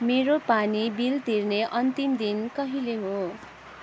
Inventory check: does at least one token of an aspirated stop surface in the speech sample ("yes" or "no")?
no